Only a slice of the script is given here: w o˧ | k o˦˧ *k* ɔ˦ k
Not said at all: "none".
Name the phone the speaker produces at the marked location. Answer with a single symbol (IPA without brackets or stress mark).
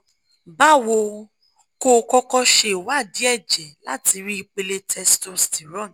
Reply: k